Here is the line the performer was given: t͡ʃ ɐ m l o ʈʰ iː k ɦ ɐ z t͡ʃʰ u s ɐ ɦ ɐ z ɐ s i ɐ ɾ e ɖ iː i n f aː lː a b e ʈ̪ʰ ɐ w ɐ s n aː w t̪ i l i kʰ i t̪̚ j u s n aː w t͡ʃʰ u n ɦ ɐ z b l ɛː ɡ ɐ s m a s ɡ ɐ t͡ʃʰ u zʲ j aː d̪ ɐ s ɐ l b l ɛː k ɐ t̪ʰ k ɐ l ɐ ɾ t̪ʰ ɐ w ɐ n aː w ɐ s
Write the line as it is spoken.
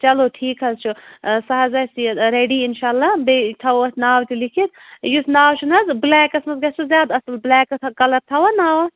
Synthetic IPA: t͡ʃ ɐ l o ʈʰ iː k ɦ ɐ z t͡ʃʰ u s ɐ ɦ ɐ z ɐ s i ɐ ɾ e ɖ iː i n ʃ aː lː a b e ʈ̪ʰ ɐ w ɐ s n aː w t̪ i l i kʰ i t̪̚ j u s n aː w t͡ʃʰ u n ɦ ɐ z b l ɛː k ɐ s m ɐ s ɡ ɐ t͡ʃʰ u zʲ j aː d̪ ɐ s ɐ l b l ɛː k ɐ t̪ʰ k ɐ l ɐ ɾ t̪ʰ ɐ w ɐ n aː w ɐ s